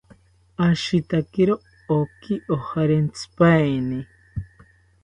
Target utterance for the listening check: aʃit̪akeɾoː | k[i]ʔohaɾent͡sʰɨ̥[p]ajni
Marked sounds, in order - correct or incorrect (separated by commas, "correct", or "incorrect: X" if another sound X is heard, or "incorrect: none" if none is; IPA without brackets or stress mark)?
correct, correct